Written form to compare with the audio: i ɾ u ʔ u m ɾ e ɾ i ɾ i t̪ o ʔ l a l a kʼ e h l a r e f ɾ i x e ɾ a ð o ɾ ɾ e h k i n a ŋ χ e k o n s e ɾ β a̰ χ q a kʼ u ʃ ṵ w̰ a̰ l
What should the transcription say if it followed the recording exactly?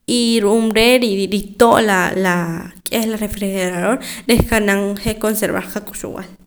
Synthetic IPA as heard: i ɾ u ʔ u m ɾ e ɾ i ɾ i t̪ o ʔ l a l a kʼ e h l a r e f ɾ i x e ɾ a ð o ɾ ɾ e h k a n a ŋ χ e k o n s e ɾ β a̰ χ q a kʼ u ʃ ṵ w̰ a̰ l